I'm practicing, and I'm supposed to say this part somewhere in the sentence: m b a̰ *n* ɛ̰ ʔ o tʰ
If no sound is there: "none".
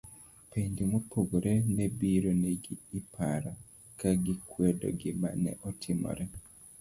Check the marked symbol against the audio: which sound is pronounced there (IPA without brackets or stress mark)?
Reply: n